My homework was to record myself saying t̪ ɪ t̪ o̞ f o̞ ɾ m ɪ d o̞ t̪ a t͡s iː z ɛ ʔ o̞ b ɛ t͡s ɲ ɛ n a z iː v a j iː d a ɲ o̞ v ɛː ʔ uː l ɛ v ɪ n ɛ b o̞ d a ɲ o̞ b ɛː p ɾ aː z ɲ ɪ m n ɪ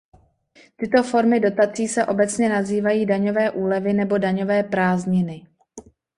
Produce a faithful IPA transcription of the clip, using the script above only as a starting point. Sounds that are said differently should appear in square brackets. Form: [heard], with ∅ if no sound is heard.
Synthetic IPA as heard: t̪ ɪ t̪ o̞ f o̞ ɾ m ɪ d o̞ t̪ a t͡s iː [s] ɛ ʔ o̞ b ɛ t͡s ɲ ɛ n a z iː v a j iː d a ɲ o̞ v ɛː ʔ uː l ɛ v ɪ n ɛ b o̞ d a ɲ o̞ [v] ɛː p ɾ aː z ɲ ɪ [∅] n ɪ